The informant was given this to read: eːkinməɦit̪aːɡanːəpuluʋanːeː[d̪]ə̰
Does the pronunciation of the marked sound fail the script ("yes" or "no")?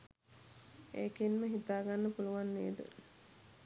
no